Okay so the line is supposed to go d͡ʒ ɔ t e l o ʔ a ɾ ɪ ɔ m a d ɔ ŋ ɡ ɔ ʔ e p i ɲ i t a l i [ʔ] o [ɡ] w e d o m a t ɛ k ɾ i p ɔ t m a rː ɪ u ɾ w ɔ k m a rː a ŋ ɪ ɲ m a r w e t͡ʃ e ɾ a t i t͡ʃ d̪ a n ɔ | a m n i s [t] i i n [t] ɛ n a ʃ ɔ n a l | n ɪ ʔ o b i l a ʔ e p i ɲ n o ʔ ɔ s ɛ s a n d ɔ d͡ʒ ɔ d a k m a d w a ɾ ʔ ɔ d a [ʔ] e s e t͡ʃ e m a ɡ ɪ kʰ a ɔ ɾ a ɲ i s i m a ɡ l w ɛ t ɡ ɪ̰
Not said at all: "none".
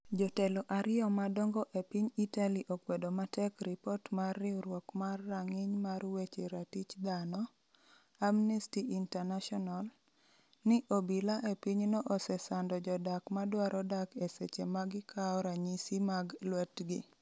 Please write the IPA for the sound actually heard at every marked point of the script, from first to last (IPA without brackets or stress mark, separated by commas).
ʔ, k, t, t, k